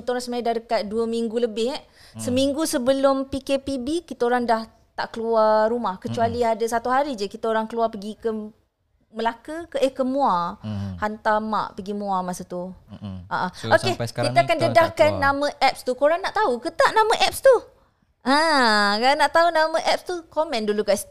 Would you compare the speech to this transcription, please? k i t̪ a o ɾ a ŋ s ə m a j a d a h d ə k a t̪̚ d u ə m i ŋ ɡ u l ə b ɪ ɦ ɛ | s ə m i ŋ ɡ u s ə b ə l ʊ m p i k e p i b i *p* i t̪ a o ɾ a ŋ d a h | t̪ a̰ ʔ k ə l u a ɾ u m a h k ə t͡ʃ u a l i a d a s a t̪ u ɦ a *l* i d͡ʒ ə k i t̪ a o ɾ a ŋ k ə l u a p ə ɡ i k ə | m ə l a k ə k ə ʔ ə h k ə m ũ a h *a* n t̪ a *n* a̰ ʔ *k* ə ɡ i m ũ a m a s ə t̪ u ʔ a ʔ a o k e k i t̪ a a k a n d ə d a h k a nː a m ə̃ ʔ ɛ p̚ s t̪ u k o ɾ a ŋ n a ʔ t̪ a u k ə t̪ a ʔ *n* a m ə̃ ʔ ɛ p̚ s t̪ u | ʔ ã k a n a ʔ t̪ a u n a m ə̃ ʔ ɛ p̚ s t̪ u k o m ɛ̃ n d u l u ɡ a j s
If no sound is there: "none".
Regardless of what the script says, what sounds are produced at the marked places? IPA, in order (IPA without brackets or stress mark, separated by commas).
k, ɾ, a, m, p, n